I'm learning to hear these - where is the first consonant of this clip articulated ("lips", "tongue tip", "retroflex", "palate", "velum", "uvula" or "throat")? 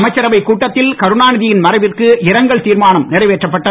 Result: lips